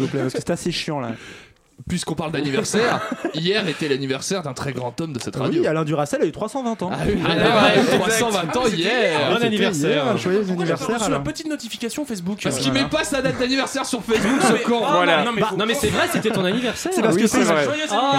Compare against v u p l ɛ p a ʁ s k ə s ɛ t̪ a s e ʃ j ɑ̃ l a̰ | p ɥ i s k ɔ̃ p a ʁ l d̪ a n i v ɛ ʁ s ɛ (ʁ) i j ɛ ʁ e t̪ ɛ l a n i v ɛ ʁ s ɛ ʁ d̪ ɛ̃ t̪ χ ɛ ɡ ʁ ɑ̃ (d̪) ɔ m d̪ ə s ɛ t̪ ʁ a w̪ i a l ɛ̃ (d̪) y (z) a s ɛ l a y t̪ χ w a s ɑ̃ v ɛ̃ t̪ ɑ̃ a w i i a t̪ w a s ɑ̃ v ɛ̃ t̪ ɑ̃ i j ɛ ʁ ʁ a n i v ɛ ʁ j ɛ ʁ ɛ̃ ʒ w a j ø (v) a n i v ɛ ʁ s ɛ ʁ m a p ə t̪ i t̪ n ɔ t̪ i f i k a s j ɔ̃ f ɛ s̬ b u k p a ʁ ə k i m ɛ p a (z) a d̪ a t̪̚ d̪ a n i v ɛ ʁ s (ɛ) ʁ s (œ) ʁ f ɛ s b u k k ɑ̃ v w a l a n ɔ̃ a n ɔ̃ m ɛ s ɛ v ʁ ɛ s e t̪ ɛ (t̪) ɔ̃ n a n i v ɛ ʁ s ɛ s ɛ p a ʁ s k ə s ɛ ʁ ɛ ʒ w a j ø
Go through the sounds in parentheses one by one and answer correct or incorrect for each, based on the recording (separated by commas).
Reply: correct, incorrect, correct, incorrect, incorrect, incorrect, correct, incorrect, correct